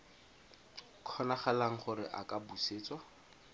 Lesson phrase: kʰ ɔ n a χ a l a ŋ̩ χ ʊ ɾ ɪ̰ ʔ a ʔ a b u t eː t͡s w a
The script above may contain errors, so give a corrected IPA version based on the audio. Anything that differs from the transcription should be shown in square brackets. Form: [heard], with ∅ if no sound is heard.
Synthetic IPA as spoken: kʰ ɔ n a χ a l a ŋ̩ χ ʊ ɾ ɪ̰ ʔ a [k] a b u [s] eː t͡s w a